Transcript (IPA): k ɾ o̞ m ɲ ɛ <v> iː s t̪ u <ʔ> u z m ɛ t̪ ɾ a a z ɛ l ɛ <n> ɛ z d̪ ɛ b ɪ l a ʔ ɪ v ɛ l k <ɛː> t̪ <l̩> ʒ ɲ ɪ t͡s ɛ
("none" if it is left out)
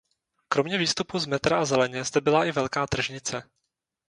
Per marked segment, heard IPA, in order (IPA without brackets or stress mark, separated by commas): v, p, ɲ, aː, r̩